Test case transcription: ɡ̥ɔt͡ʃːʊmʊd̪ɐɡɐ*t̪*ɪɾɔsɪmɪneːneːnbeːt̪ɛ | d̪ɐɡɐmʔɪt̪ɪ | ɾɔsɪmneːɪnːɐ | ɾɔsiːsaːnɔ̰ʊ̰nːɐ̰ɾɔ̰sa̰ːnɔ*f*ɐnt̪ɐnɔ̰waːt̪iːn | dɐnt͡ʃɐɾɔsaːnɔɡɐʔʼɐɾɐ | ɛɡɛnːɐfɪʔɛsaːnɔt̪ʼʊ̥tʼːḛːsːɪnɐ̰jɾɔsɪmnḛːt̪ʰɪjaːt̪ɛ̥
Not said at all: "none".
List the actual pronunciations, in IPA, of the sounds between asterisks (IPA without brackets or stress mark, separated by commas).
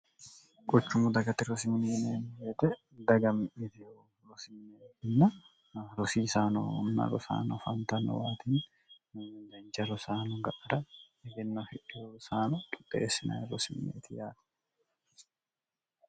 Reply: t̪, f